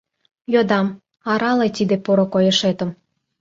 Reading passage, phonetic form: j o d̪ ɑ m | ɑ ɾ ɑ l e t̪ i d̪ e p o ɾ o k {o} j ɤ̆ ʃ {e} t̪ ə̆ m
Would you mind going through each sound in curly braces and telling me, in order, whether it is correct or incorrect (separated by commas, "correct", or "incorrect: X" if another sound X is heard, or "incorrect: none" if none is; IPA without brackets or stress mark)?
correct, correct